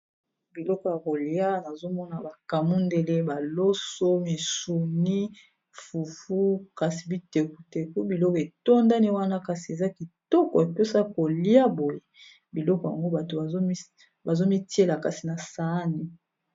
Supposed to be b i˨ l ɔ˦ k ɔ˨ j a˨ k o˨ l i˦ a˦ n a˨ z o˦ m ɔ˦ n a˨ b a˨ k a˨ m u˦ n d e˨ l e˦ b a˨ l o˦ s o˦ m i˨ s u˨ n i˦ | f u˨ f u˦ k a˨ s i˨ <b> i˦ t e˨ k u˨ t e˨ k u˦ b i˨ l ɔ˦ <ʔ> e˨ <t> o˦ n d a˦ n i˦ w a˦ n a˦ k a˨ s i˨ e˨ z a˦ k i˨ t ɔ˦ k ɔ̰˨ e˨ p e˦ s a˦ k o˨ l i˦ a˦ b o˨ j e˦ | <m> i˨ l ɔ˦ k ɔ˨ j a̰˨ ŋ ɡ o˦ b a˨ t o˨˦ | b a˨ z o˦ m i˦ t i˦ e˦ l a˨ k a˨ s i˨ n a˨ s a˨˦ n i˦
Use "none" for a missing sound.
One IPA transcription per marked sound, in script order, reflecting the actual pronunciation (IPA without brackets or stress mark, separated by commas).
b, k, t, b